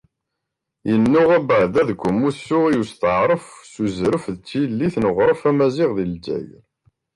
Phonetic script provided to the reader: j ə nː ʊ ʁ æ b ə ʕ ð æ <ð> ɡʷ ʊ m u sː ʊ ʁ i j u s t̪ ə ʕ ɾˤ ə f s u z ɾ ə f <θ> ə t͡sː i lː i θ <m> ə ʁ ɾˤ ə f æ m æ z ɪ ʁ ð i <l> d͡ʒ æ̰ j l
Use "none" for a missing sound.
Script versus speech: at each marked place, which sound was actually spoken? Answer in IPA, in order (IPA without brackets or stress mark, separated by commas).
ð, ð, n, l